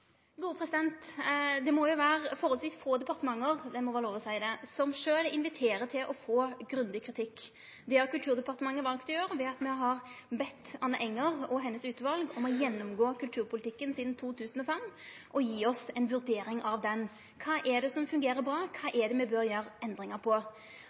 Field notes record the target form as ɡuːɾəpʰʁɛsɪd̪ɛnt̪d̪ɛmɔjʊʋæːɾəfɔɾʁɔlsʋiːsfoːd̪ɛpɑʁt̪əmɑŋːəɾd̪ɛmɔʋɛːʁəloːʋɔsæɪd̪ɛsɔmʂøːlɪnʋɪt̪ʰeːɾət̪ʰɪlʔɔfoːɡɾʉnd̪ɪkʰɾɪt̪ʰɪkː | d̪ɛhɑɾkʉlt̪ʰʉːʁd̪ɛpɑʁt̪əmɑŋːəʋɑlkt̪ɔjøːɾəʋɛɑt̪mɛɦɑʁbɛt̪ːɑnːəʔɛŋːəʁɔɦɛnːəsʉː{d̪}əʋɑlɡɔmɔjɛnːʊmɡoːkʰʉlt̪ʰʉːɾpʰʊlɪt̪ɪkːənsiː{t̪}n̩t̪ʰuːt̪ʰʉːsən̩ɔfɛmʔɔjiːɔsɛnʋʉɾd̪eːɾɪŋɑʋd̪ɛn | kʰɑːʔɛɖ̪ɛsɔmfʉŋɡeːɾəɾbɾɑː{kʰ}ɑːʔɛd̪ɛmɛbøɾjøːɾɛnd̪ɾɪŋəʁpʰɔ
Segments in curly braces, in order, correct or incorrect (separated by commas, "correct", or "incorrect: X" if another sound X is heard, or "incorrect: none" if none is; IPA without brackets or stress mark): incorrect: t̪, incorrect: d̪, correct